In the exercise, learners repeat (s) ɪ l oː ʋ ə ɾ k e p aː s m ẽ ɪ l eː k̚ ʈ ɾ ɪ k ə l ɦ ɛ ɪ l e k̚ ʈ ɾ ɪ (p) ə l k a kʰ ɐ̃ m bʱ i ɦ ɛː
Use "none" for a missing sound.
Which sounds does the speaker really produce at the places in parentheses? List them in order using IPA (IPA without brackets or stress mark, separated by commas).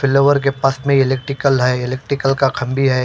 f, k